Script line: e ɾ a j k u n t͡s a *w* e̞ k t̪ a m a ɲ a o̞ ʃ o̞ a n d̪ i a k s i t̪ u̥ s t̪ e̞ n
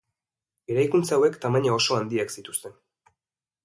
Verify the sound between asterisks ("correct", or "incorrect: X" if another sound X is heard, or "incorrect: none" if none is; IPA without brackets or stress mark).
correct